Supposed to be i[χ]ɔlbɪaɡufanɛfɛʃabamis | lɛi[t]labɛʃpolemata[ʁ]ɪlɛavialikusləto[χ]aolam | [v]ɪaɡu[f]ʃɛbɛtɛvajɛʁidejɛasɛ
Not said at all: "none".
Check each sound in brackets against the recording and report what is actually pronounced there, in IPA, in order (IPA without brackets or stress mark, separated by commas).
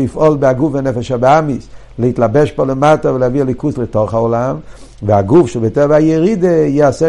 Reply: f, t, v, χ, v, f